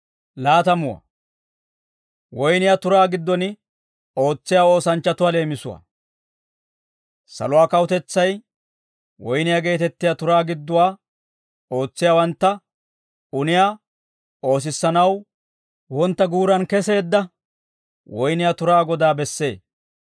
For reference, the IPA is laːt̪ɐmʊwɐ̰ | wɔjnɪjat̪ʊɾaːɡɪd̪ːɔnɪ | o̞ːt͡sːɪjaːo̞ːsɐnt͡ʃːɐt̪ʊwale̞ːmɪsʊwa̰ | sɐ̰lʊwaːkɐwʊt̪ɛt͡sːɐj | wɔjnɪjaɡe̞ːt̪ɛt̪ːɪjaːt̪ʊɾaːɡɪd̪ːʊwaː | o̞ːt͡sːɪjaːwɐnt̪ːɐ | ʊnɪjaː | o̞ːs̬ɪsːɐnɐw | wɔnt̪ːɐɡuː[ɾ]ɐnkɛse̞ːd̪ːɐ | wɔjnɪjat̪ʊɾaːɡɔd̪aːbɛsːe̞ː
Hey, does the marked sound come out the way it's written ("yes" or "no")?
yes